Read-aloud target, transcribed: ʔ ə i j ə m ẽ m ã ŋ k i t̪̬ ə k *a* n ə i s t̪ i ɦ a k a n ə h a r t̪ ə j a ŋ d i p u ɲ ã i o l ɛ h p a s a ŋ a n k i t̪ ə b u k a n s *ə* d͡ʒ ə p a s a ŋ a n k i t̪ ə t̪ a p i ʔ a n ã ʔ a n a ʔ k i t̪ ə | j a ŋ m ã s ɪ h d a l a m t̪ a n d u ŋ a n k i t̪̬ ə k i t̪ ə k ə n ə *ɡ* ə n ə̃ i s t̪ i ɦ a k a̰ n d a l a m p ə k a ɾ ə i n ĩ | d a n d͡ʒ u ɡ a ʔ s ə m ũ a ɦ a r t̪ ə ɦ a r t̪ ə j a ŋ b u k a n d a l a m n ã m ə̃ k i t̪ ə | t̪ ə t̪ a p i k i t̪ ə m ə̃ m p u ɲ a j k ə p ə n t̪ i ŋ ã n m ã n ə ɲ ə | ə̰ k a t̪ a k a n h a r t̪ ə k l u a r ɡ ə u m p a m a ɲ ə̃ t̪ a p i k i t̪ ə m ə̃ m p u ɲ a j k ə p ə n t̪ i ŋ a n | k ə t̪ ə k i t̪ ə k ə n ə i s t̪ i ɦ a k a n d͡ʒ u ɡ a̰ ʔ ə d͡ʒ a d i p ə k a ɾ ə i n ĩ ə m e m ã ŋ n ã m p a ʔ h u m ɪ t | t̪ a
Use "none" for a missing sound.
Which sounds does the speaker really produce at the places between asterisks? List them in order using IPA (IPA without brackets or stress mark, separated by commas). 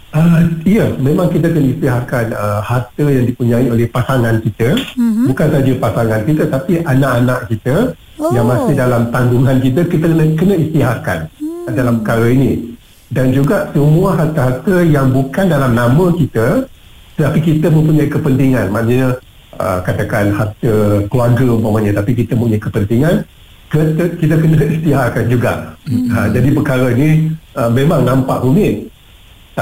ə, a, k